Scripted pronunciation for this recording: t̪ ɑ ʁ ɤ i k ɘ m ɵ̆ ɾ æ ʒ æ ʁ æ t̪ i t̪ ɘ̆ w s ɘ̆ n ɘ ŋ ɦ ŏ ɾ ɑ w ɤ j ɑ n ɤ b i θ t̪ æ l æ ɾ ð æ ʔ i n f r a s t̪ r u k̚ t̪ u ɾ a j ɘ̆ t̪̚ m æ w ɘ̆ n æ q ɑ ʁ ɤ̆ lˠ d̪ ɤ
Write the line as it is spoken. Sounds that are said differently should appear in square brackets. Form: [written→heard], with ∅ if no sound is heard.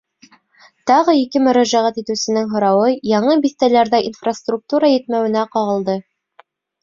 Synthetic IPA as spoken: t̪ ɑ ʁ ɤ i k ɘ m ɵ̆ ɾ æ ʒ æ ʁ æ t̪ i t̪ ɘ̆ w s ɘ̆ n ɘ ŋ ɦ ŏ ɾ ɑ w ɤ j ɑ [n→ɴ] ɤ b i θ t̪ æ l æ ɾ ð æ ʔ i n f r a s t̪ r u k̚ t̪ u ɾ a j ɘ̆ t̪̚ m æ w ɘ̆ n æ q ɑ ʁ ɤ̆ lˠ d̪ ɤ